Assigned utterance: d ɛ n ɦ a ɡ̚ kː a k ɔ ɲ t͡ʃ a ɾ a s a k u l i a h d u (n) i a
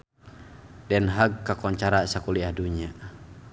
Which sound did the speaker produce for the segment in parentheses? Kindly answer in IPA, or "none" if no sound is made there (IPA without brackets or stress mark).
ɲ